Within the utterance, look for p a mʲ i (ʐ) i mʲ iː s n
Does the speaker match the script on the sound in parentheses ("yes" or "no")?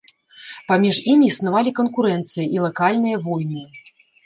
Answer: yes